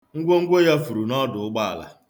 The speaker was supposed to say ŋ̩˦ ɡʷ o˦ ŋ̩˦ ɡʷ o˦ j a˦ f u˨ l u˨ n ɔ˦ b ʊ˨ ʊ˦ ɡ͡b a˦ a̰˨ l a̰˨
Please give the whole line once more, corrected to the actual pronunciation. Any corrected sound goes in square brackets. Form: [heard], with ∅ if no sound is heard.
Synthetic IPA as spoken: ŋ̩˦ ɡʷ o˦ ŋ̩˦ ɡʷ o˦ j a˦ f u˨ [ɾ] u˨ n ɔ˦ [d] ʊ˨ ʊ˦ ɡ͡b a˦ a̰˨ l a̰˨